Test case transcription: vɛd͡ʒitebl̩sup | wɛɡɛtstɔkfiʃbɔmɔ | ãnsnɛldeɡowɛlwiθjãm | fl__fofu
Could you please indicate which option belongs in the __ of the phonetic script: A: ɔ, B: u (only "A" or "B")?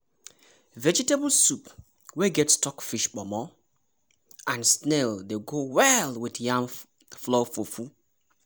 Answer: A